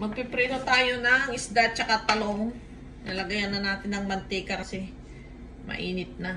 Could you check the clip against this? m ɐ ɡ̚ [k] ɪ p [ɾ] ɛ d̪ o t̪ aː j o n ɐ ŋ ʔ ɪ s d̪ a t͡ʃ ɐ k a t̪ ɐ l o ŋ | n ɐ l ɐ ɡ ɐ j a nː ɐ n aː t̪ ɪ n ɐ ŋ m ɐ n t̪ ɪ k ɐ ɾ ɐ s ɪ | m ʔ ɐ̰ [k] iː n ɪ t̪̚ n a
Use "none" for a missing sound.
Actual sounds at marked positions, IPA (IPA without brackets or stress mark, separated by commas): p, ɾ, ʔ